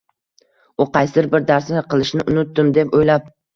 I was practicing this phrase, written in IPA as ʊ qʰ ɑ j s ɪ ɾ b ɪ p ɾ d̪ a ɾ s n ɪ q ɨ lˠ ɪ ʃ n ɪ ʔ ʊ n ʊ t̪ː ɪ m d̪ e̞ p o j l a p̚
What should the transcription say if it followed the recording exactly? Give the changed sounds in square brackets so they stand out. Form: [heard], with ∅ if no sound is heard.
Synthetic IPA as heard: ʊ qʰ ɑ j s ɪ ɾ b ɪ [∅] ɾ d̪ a ɾ s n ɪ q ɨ lˠ ɪ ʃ n ɪ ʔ ʊ n ʊ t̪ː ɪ m d̪ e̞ p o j l a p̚